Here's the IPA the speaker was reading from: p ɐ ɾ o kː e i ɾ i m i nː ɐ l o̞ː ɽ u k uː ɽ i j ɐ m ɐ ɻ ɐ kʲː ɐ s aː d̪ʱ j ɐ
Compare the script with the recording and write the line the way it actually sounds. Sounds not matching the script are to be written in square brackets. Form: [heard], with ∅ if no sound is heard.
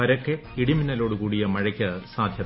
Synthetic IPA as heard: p ɐ ɾ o kː e i [ɽ] i m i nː ɐ l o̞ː ɽ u k uː ɽ i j ɐ m ɐ ɻ ɐ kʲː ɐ s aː d̪ʱ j ɐ